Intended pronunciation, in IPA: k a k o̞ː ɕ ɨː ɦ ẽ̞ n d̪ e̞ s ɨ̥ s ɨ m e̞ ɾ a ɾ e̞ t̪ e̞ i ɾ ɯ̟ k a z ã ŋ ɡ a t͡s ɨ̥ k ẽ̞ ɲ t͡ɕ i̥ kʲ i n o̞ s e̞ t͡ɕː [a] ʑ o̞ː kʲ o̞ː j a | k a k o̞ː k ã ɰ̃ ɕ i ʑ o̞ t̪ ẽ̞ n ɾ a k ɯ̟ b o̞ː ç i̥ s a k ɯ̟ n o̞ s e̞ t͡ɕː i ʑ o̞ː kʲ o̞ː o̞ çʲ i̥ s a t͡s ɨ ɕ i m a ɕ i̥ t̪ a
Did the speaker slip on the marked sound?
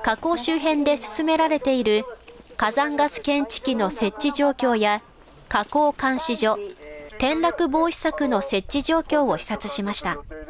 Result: yes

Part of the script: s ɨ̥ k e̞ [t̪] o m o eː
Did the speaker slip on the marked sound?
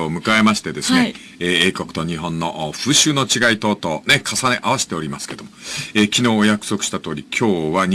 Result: yes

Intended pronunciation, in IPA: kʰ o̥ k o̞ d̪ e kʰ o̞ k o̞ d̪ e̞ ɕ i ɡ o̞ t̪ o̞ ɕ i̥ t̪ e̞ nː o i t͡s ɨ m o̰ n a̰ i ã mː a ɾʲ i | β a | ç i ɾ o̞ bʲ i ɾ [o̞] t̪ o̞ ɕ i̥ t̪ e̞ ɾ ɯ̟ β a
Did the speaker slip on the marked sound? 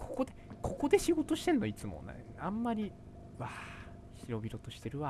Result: no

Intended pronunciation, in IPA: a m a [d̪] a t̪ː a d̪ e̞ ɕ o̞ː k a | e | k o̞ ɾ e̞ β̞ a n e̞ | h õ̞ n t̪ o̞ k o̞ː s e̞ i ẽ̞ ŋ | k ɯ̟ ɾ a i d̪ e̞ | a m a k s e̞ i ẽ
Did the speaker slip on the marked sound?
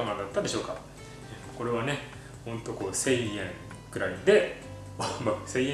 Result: no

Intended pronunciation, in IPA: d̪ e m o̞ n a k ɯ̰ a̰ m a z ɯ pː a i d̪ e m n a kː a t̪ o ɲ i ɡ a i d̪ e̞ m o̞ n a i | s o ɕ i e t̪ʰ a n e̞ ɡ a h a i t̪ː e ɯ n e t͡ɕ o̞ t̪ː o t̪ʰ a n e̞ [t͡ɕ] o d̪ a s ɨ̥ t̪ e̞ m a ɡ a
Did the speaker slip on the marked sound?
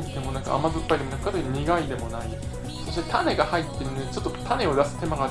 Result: yes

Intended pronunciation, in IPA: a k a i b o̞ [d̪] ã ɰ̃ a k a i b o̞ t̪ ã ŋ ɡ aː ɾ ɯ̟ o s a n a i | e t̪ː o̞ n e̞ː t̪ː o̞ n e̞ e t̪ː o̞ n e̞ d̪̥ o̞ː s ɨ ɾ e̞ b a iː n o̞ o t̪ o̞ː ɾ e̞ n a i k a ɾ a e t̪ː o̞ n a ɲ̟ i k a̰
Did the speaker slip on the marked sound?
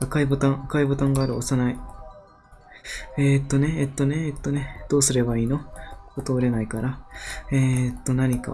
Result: yes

